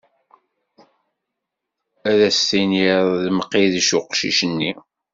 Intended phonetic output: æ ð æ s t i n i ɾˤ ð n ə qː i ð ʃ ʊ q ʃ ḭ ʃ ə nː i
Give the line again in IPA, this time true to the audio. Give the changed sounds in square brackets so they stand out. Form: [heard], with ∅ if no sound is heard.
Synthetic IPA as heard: æ ð æ s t i n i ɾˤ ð [m] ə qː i ð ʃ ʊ q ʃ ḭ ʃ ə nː i